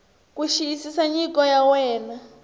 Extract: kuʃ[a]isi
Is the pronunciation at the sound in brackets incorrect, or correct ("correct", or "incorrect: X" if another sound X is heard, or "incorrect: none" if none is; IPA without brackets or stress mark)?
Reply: incorrect: i